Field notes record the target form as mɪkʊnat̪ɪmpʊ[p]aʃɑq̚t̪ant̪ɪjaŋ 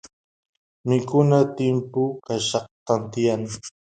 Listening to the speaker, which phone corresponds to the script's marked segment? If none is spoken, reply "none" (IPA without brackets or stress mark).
k